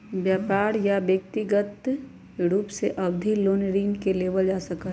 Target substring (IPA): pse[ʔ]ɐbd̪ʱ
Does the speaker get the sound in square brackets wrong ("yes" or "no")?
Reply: no